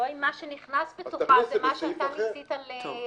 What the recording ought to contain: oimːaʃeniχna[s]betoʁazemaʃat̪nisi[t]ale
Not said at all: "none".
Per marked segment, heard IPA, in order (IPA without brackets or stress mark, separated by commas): s, t